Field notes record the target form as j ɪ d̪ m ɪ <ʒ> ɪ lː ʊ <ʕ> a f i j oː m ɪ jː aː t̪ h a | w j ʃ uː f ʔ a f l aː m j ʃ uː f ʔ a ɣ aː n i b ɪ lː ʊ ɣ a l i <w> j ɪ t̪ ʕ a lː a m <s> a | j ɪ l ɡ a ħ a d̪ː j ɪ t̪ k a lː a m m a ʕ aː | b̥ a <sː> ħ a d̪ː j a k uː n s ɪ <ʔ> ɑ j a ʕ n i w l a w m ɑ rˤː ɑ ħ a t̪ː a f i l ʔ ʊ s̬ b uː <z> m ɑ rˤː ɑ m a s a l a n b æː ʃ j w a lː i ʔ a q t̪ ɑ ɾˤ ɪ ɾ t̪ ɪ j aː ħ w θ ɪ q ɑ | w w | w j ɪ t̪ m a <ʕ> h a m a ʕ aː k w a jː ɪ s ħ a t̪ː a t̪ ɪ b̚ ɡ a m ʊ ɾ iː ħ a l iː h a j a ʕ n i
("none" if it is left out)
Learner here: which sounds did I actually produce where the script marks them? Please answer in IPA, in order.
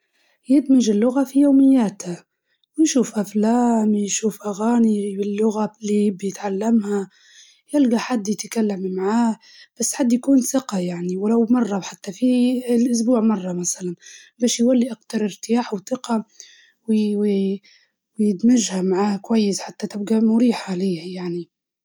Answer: ʒ, ɣ, b, h, sː, q, ʕ, ʒ

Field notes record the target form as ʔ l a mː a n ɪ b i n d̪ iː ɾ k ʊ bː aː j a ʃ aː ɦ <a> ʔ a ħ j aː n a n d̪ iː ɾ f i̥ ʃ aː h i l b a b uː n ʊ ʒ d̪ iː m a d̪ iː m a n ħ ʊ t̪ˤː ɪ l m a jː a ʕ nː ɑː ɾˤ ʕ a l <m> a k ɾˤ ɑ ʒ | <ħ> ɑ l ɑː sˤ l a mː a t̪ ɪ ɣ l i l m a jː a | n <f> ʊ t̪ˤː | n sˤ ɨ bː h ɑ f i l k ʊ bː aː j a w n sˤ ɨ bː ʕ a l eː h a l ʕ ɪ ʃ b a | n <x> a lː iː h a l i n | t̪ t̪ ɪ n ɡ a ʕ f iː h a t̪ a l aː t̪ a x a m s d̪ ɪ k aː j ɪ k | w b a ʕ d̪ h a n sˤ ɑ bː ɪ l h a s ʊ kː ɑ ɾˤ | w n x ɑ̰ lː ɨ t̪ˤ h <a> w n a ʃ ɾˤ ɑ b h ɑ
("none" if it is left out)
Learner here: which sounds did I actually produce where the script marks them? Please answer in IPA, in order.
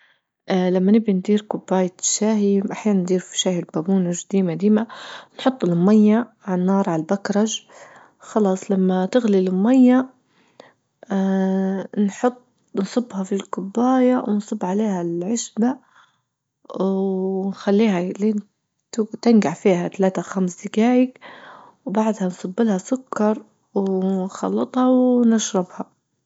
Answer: i, b, x, ħ, x, ɑ

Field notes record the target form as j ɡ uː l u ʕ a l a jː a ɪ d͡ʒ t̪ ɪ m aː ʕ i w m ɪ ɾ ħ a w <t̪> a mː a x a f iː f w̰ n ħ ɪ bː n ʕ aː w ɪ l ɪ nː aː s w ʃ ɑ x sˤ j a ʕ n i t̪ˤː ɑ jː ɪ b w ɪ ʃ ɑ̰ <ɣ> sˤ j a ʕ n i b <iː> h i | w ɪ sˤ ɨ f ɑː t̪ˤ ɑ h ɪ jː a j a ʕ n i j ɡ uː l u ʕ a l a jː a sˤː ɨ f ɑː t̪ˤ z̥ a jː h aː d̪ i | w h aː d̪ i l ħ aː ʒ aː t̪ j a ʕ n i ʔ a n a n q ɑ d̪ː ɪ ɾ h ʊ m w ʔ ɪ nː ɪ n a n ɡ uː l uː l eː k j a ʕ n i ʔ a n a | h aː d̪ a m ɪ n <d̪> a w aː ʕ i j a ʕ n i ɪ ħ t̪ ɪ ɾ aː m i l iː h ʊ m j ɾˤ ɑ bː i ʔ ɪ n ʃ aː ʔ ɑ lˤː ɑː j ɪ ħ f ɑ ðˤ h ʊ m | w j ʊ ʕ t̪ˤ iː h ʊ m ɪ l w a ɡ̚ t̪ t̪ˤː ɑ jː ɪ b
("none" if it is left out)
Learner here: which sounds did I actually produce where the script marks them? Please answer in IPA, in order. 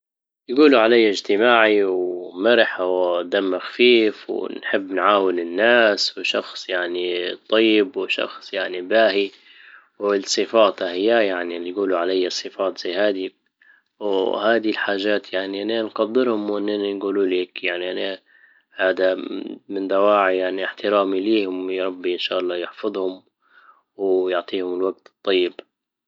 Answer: d̪, x, aː, d̪

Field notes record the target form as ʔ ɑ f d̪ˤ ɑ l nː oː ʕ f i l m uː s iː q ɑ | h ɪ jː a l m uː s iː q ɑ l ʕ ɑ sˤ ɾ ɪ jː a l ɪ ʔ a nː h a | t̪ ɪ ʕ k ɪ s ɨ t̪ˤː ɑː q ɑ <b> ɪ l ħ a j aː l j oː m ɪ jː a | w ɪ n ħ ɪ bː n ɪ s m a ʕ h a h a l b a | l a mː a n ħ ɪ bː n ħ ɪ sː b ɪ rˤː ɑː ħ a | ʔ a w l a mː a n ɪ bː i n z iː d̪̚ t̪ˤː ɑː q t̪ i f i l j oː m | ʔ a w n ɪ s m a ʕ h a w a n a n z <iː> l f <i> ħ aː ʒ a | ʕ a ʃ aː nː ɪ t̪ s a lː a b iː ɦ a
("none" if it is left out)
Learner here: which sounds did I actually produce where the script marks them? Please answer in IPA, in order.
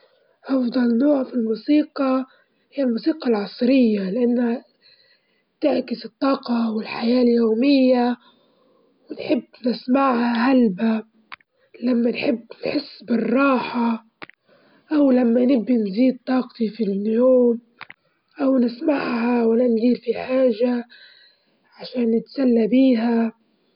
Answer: w, iː, i

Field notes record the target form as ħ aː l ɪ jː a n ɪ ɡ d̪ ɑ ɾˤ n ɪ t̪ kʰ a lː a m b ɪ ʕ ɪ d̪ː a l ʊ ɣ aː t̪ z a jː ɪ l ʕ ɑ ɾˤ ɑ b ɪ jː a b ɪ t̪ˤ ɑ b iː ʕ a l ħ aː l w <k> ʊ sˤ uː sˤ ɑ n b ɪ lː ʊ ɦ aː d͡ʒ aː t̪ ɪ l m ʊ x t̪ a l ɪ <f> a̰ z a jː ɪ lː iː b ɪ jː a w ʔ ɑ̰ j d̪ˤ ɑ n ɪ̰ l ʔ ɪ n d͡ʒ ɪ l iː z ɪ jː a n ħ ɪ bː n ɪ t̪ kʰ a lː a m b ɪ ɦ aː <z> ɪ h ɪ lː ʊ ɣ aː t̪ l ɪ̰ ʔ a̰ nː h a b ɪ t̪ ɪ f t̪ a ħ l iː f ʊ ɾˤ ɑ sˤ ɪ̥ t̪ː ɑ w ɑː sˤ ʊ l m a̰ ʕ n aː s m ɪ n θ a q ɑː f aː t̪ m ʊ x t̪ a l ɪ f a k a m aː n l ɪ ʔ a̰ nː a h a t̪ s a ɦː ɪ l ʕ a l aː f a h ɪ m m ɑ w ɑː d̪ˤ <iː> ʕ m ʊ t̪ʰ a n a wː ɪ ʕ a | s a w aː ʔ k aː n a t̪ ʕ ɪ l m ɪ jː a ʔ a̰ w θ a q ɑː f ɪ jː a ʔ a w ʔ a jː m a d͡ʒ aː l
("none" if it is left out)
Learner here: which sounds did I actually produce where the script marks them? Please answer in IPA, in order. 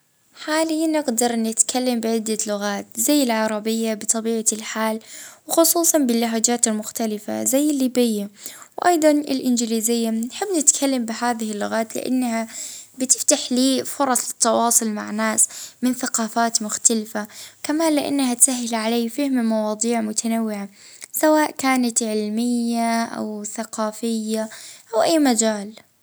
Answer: x, f, ð, iː

